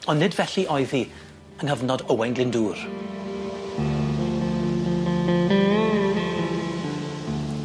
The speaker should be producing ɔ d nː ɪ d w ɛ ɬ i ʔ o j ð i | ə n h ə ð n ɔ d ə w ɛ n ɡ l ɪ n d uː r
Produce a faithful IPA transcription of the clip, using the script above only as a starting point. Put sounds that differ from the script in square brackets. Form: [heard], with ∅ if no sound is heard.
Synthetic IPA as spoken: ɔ [n] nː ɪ d [v] ɛ ɬ i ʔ [ɔ] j ð i | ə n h ə [v] n ɔ d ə w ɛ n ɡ l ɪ n d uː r